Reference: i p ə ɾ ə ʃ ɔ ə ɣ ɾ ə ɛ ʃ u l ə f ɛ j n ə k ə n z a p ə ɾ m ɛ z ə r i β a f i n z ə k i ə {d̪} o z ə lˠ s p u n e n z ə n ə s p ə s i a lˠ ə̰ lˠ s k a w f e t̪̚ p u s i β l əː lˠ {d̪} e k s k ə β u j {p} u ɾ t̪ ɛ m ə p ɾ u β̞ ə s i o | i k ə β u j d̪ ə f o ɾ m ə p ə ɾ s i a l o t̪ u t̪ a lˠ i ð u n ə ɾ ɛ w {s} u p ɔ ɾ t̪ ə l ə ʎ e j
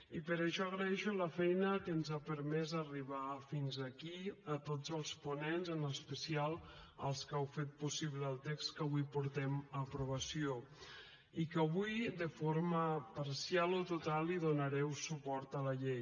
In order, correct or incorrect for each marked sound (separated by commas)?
incorrect, incorrect, correct, correct